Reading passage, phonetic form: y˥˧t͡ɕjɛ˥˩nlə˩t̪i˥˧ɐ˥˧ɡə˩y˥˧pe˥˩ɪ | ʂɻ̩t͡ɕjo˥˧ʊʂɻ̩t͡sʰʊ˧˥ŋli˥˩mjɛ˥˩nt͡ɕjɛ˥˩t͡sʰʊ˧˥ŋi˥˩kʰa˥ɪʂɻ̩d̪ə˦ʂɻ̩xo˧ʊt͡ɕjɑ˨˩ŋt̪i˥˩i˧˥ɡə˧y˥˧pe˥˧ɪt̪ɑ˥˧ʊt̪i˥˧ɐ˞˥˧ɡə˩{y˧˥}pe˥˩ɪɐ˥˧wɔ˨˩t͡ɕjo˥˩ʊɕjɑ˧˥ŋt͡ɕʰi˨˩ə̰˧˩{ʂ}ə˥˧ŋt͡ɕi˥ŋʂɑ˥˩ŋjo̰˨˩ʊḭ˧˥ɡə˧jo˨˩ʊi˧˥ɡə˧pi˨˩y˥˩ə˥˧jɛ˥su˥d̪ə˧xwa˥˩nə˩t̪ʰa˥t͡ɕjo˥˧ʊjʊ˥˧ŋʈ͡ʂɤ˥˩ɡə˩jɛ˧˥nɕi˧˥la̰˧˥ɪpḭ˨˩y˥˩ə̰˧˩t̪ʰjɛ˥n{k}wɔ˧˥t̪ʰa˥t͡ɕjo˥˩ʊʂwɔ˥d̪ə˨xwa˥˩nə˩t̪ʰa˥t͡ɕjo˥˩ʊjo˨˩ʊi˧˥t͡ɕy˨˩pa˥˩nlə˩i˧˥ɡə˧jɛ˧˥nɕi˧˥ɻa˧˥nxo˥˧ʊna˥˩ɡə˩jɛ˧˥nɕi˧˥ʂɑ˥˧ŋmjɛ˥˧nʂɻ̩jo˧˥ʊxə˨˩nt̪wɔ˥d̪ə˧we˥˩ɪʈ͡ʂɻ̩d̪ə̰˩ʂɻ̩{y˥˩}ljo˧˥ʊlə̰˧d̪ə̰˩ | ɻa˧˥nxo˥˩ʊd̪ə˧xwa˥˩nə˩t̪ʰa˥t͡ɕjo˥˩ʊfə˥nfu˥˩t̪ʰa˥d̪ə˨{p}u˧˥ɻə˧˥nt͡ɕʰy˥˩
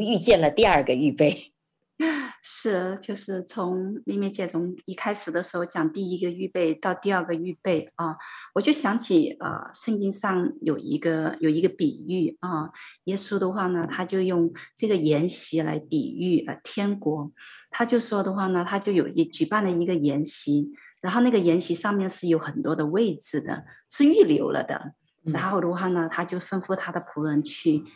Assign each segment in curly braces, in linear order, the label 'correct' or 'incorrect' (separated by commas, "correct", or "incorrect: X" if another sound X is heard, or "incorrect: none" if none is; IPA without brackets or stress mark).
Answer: incorrect: y˥˧, correct, correct, correct, incorrect: pʰ